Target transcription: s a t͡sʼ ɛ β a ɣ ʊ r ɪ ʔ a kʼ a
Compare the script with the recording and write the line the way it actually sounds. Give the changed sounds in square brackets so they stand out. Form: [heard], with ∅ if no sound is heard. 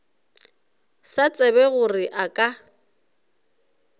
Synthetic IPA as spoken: s a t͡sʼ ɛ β [ɛ] ɣ ʊ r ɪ ʔ a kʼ a